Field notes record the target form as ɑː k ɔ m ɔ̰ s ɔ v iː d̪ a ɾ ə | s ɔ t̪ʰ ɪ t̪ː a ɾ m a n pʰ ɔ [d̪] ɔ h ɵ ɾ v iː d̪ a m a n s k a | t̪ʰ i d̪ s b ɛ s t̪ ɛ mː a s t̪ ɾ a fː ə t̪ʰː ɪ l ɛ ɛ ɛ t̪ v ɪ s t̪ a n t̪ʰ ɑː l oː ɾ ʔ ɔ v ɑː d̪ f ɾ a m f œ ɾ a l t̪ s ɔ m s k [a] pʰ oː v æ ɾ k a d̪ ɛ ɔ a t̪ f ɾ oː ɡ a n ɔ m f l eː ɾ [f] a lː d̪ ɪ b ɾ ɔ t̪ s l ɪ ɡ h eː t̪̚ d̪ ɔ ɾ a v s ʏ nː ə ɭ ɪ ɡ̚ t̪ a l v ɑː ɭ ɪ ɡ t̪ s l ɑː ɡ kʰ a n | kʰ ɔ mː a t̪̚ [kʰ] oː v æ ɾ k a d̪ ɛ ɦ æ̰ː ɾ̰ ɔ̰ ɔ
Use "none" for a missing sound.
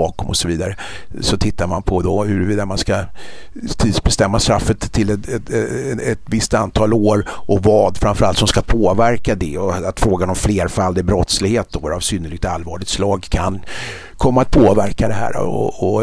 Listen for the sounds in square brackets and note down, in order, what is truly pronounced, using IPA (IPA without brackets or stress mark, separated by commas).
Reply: d̪, a, f, pʰ